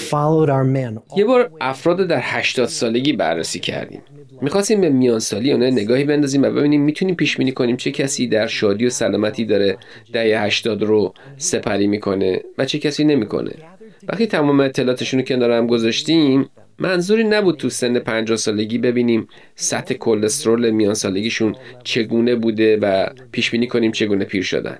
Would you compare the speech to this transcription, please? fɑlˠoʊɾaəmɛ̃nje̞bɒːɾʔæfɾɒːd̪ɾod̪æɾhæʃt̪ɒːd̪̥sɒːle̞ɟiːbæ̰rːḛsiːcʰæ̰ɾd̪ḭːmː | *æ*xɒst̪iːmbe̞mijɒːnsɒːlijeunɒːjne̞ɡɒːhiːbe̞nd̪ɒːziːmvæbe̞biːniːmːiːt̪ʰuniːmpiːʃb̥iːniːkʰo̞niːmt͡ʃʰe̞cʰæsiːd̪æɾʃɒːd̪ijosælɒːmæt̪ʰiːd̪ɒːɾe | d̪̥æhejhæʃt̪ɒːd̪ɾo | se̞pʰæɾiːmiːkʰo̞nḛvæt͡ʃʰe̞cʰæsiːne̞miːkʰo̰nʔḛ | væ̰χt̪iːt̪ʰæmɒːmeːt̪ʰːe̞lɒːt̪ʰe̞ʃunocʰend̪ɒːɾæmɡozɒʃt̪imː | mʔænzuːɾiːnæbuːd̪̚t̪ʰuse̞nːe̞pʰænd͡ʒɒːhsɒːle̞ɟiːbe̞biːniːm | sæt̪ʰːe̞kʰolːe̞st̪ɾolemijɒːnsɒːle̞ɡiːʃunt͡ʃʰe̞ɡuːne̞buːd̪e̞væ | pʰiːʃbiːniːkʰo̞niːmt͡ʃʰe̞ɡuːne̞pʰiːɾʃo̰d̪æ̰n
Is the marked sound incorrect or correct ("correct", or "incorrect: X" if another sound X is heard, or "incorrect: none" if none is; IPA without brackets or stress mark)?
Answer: incorrect: i